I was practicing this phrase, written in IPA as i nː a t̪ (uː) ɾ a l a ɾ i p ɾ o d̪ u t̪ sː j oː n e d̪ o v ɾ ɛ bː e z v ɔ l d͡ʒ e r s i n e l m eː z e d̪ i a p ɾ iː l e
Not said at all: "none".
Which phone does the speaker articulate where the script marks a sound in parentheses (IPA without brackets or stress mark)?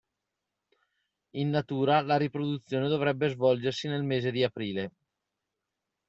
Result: uː